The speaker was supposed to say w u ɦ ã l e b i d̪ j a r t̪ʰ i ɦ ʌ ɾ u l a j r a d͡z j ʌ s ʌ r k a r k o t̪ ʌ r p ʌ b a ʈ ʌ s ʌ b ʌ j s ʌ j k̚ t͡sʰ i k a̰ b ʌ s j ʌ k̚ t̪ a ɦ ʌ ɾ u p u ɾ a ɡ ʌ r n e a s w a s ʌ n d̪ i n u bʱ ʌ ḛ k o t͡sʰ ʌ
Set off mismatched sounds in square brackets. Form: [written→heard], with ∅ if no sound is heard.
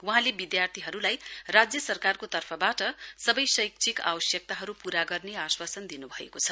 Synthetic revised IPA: w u ɦ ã l e b i d̪ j a r t̪ʰ i ɦ ʌ ɾ u l a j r a d͡z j ʌ s ʌ r k a r k o t̪ ʌ r [p→pʰ] ʌ b a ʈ ʌ s ʌ b ʌ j s ʌ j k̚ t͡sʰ i k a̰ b ʌ s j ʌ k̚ t̪ a ɦ ʌ ɾ u p u ɾ a ɡ ʌ r n e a s w a s ʌ n d̪ i n u bʱ ʌ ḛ k o t͡sʰ ʌ